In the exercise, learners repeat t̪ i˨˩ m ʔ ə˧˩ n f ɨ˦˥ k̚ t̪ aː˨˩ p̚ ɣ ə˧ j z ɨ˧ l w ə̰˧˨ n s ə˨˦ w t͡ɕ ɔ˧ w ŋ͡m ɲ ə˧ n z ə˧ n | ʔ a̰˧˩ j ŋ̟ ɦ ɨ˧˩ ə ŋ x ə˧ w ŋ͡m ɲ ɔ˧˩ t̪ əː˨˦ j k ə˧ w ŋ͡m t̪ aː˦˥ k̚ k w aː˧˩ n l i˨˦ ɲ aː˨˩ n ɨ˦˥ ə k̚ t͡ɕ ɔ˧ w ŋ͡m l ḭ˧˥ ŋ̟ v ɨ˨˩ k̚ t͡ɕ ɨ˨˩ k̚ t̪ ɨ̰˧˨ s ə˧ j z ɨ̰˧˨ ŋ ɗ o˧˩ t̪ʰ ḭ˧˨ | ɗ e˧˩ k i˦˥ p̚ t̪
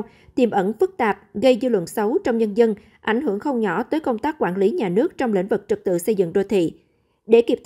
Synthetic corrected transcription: t̪ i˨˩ m ʔ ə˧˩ n f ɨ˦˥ k̚ t̪ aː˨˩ p̚ ɣ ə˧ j z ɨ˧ l w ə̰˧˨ n s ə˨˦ w t͡ɕ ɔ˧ w ŋ͡m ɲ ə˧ n z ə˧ n | ʔ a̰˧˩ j ŋ̟ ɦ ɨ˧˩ ə ŋ x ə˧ w ŋ͡m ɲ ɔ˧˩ t̪ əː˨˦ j k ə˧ w ŋ͡m t̪ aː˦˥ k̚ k w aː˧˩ n l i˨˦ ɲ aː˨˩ n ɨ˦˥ ə k̚ t͡ɕ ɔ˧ w ŋ͡m l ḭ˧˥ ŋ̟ v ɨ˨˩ k̚ t͡ɕ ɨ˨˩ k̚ t̪ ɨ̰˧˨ s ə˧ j z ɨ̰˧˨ ŋ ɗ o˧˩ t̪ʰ ḭ˧˨ | ɗ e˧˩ k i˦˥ p̚ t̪